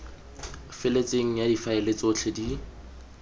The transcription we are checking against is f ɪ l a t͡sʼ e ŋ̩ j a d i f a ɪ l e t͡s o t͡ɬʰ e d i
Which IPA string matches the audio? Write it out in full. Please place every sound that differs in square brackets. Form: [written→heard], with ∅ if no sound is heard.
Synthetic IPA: f ɪ l [a→e] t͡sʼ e ŋ̩ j a d i f a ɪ l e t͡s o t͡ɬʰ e d i